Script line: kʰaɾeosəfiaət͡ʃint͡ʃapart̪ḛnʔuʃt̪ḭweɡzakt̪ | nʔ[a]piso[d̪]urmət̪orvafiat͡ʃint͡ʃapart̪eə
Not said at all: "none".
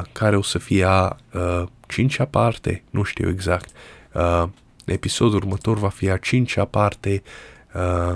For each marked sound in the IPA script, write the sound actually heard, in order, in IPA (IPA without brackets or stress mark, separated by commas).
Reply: e, d̪